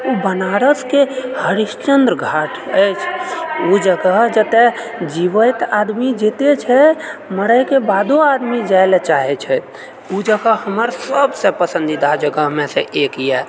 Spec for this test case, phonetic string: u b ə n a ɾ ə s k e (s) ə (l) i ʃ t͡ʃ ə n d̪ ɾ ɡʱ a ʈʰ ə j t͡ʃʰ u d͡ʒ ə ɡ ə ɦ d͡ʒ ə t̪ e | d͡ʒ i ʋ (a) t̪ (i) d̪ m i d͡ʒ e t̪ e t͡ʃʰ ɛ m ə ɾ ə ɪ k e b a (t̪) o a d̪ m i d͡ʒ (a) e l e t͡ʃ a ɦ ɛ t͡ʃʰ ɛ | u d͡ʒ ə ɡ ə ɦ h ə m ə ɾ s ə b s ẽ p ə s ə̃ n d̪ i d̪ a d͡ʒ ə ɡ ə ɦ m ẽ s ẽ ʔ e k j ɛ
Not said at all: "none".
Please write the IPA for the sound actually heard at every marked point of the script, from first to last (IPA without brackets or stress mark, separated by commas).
h, ɾ, ə, a, d̪, a